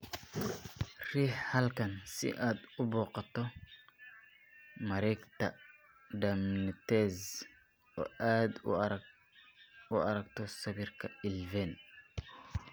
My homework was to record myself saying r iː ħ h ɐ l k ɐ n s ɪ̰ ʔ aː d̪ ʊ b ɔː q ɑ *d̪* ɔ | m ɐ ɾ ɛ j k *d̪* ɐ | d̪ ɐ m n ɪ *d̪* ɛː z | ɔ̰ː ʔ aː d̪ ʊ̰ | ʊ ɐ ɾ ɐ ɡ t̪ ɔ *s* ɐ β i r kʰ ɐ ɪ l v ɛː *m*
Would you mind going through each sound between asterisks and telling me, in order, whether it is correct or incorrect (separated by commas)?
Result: incorrect, incorrect, incorrect, correct, incorrect